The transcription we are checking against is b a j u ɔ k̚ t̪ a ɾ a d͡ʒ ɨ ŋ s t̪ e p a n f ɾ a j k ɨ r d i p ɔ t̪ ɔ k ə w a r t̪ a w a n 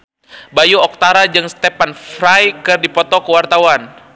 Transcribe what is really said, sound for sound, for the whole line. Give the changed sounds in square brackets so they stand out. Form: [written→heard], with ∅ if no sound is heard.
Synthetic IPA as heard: b a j u ɔ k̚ t̪ a ɾ a d͡ʒ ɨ ŋ s t̪ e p a n f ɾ a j k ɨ r d i p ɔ t̪ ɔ k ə w a r t̪ a w a n